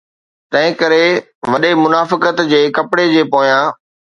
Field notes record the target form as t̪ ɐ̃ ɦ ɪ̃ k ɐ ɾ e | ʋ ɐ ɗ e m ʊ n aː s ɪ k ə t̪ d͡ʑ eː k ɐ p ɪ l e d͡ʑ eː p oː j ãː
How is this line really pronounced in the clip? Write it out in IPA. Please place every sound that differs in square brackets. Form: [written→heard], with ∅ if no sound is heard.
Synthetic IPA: t̪ ɐ̃ ɦ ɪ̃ k ɐ ɾ e | ʋ ɐ ɗ e m ʊ n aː [s→f] ɪ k ə t̪ d͡ʑ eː k ɐ p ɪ [l→ɽ] e d͡ʑ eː p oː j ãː